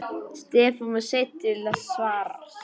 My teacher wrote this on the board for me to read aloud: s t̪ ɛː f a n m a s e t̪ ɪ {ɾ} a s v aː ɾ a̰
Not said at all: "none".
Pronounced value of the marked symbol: l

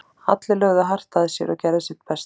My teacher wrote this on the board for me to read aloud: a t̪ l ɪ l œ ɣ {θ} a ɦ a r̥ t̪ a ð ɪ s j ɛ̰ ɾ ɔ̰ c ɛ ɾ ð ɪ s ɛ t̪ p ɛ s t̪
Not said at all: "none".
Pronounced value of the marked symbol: ð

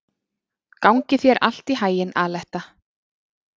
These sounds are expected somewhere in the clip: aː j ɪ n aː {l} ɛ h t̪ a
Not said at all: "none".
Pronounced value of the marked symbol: l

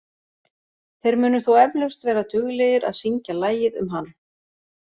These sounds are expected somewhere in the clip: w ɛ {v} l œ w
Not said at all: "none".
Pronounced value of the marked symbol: v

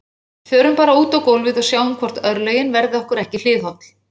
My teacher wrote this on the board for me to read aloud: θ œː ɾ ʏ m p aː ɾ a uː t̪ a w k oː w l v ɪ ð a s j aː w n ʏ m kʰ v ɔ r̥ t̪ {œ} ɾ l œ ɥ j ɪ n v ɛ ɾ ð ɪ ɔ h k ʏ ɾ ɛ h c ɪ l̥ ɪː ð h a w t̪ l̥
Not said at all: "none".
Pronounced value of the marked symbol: œ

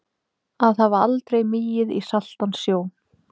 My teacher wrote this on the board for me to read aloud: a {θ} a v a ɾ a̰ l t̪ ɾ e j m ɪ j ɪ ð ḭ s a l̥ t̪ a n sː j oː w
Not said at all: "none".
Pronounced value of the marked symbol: ð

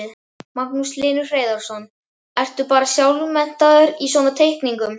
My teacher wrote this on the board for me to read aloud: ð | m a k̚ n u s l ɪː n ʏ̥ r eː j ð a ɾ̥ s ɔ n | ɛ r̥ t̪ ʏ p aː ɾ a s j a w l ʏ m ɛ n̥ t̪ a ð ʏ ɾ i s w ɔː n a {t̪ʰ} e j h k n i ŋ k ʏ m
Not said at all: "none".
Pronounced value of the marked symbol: t̪ʰ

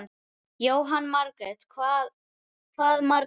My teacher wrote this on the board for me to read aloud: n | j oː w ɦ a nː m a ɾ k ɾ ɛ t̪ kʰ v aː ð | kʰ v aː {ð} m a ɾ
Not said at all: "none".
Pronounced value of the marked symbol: ð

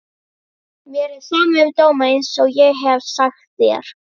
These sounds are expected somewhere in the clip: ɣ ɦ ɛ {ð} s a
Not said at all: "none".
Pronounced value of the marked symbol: v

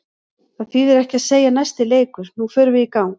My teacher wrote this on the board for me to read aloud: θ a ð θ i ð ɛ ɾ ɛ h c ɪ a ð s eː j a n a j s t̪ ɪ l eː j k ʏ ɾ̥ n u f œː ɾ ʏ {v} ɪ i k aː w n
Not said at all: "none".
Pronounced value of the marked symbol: v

